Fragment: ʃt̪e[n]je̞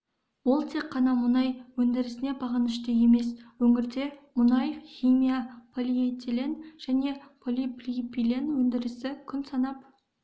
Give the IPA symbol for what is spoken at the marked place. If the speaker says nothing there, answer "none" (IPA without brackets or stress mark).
none